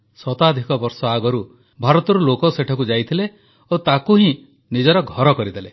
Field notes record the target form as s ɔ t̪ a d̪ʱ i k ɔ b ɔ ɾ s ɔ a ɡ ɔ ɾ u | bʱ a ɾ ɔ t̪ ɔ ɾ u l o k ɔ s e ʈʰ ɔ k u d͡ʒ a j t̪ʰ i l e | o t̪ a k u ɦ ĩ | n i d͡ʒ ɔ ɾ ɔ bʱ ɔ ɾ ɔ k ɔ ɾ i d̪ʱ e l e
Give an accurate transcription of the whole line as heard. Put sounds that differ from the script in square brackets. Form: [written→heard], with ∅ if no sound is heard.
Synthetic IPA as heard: s ɔ t̪ a d̪ʱ i k ɔ b ɔ ɾ s ɔ a ɡ ɔ ɾ u | bʱ a ɾ ɔ t̪ ɔ ɾ u l o k ɔ s e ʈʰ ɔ k u d͡ʒ a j t̪ʰ i l e | o t̪ a k u ɦ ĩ | n i d͡ʒ ɔ ɾ ɔ [bʱ→ɡʱ] ɔ ɾ ɔ k ɔ ɾ i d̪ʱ e l e

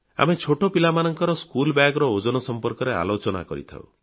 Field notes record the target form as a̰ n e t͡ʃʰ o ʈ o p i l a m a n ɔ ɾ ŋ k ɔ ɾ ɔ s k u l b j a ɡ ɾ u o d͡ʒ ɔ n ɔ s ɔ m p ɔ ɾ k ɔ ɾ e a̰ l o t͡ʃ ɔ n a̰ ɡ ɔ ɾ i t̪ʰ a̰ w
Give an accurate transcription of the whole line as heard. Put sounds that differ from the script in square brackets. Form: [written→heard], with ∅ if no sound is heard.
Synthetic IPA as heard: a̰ [n→m] e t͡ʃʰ o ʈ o p i l a m a n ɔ [ɾ→∅] ŋ k ɔ ɾ ɔ s k u l b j a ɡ ɾ [u→ɔ] o d͡ʒ ɔ n ɔ s ɔ m p ɔ ɾ k ɔ ɾ e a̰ l o t͡ʃ ɔ n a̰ [ɡ→k] ɔ ɾ i t̪ʰ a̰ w

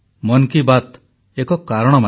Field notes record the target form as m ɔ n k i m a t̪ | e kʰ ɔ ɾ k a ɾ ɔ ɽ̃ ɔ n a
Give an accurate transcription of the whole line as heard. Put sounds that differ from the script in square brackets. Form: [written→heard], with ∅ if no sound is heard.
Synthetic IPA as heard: m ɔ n k i [m→b] a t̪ | e [kʰ→k] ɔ [ɾ→∅] k a ɾ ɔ ɽ̃ ɔ [n→m] a

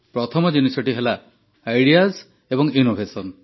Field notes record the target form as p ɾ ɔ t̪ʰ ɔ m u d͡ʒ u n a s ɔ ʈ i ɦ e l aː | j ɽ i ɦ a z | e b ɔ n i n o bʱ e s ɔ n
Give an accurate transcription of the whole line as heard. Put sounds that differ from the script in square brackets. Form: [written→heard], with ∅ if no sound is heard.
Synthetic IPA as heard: p ɾ ɔ t̪ʰ ɔ m [u→ɔ] d͡ʒ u n [a→i] s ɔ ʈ i ɦ e l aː | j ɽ i [ɦ→∅] a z | e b ɔ [n→ŋ] i n o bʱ e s ɔ n

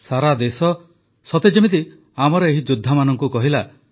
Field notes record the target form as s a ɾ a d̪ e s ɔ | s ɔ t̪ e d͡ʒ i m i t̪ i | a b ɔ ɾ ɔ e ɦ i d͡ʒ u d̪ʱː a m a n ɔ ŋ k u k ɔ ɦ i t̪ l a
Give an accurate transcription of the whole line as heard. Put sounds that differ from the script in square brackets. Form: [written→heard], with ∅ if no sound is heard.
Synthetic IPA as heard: s a ɾ a d̪ e s ɔ | s ɔ t̪ e d͡ʒ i m i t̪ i | a [b→m] ɔ ɾ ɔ e ɦ i d͡ʒ u d̪ʱː a m a n ɔ ŋ k u k ɔ ɦ i [t̪→∅] l a

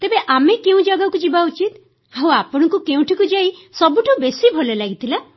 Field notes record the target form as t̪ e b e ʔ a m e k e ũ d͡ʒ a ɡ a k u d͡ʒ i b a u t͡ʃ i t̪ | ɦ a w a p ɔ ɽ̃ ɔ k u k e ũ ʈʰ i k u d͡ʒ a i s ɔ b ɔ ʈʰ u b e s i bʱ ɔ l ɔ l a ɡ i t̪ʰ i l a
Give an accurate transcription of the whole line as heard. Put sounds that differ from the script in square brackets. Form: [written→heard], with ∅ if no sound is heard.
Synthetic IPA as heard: t̪ e b e ʔ a m e k e ũ d͡ʒ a ɡ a k u d͡ʒ i b a u t͡ʃ i t̪ | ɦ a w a p ɔ ɽ̃ ɔ k u k e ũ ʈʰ i k u d͡ʒ a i s ɔ b [ɔ→u] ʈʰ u b e s i bʱ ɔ l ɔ l a ɡ i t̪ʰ i l a

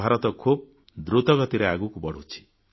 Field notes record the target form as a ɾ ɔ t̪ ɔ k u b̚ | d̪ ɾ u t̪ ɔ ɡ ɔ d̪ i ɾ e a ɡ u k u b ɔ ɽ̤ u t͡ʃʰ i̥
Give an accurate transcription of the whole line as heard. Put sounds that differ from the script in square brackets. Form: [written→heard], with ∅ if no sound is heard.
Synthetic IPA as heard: a ɾ ɔ t̪ ɔ [k→kʰ] u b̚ | d̪ ɾ u t̪ ɔ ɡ ɔ [d̪→t̪] i ɾ e a ɡ u k u b ɔ ɽ̤ u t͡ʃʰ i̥

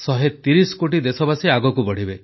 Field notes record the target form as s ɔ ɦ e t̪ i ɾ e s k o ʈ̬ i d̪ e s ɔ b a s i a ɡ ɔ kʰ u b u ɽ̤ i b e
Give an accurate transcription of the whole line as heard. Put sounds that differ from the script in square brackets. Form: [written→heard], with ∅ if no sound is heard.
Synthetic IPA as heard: s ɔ ɦ e t̪ i ɾ [e→i] s k o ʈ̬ i d̪ e s ɔ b a s i a ɡ ɔ [kʰ→k] u b [u→ɔ] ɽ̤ i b e

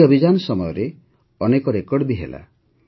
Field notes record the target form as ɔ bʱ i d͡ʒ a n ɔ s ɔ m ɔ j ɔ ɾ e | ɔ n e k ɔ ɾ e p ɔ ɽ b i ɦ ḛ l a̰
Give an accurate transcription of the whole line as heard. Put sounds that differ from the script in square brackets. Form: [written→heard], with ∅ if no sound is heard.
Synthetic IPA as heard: ɔ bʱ i d͡ʒ a n ɔ s ɔ m ɔ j ɔ ɾ e | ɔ n e k ɔ ɾ e [p→k] ɔ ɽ b i ɦ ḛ l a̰

